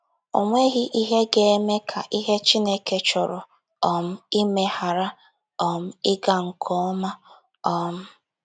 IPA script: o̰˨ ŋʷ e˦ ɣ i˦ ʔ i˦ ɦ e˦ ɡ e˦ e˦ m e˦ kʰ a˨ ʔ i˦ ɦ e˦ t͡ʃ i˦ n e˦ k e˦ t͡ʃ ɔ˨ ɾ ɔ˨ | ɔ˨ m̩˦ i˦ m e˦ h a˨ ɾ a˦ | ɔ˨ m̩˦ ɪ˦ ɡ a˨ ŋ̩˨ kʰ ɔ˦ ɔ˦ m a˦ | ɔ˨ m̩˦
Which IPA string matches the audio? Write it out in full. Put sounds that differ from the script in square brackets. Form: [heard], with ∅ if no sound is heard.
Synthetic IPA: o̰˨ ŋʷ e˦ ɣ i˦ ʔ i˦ ɦ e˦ ɡ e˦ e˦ m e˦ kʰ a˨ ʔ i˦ ɦ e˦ t͡ʃ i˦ n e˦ k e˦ t͡ʃ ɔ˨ ɾ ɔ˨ | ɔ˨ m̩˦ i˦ m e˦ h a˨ ɾ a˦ | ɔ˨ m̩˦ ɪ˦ ɡ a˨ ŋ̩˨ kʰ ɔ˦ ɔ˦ m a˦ | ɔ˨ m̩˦

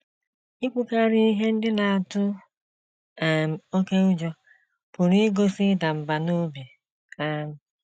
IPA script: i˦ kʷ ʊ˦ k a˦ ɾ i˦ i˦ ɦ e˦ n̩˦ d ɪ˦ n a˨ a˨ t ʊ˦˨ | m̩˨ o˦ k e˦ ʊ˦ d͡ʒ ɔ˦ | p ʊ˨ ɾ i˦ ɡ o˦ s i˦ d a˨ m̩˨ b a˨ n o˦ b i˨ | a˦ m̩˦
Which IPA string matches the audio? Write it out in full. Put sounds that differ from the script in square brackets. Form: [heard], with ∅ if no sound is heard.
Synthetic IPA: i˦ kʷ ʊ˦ k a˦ ɾ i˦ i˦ ɦ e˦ n̩˦ d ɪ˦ n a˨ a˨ t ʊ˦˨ | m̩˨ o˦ k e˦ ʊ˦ d͡ʒ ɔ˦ | p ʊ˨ ɾ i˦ ɡ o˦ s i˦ d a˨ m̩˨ b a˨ n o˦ b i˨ | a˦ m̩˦

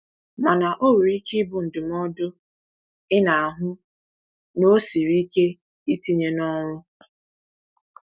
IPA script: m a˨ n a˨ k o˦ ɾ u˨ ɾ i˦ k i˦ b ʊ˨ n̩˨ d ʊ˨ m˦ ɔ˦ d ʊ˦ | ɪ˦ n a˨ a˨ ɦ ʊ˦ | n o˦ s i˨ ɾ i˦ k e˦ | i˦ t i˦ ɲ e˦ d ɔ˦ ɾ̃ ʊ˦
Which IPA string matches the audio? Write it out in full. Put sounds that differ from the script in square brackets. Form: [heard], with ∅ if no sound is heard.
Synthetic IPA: m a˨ n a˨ [ʔ] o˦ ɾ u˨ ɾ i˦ k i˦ b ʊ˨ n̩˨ d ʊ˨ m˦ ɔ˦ d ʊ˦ | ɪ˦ n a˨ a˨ ɦ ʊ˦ | n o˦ s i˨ ɾ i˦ k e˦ | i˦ t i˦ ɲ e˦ [n] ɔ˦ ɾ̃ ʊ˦

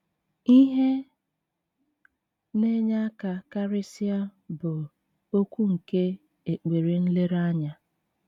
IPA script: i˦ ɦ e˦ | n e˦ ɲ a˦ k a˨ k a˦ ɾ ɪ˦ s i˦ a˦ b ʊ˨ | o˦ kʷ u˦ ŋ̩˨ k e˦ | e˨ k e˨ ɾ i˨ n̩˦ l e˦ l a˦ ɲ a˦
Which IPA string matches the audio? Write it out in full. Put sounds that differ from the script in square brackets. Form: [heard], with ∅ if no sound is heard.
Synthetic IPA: i˦ ɦ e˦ | n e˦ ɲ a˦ k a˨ k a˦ ɾ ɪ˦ s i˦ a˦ b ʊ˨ | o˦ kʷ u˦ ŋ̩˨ k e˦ | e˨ [k͡p] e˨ ɾ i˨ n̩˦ l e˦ [ɾ] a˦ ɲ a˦

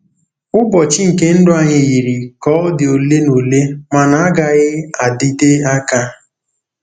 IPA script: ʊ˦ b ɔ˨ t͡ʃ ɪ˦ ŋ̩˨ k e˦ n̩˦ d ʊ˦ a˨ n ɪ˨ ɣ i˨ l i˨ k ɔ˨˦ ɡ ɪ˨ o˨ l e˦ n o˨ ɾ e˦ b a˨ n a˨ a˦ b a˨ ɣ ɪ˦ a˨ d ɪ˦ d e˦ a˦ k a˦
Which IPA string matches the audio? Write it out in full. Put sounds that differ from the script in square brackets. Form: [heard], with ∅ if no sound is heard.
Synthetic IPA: ʊ˦ b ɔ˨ t͡ʃ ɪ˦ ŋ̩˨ k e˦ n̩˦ d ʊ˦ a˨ [ɲ] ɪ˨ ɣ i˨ [ɾ] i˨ k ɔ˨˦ [d] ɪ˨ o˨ l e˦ n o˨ [l] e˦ [m] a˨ n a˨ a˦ [ɡ] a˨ ɣ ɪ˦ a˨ d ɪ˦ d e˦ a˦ k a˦

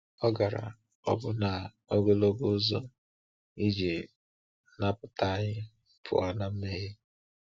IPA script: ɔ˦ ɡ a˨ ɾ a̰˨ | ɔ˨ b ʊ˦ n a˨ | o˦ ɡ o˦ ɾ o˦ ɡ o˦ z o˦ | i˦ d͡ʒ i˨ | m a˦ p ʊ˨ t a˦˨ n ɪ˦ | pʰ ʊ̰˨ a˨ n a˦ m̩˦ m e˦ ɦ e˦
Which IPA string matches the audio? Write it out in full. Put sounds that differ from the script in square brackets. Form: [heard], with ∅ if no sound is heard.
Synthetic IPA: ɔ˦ ɡ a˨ ɾ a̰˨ | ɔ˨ b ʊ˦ n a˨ | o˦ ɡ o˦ [l] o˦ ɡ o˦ z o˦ | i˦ d͡ʒ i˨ | [n] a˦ p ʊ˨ t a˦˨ [ɲ] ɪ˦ | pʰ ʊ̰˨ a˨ n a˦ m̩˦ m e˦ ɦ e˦

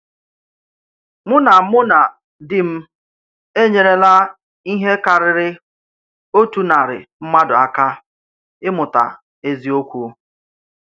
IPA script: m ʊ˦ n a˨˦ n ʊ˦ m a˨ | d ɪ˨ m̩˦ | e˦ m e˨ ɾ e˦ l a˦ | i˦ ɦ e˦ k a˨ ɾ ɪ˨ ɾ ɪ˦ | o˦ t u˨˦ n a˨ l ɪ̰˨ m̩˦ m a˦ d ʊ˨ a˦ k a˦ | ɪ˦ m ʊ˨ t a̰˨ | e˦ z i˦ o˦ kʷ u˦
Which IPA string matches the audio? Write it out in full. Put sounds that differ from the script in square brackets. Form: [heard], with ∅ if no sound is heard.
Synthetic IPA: m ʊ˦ n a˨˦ [m] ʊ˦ [n] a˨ | d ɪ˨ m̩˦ | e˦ [ɲ] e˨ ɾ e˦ l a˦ | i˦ ɦ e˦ k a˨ ɾ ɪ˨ ɾ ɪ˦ | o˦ t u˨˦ n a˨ [ɾ] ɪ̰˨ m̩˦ m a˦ d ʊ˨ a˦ k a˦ | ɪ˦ m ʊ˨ t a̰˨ | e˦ z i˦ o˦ kʷ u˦

